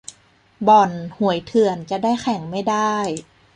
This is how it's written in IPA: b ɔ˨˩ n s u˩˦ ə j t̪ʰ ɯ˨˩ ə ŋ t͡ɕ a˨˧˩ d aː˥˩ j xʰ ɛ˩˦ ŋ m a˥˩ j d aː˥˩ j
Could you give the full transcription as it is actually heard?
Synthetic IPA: b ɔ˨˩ n h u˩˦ ə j t̪ʰ ɯ˨˩ ə n t͡ɕ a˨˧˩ d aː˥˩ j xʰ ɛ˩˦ ŋ m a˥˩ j d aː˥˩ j